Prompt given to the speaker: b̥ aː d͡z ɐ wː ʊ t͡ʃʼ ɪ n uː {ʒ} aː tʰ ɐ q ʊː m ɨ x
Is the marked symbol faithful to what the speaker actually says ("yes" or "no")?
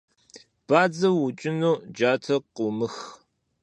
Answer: no